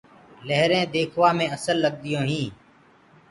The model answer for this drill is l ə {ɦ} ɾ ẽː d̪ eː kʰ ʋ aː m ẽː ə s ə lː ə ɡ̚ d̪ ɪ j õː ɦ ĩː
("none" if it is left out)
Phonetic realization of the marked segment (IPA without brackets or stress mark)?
ɦ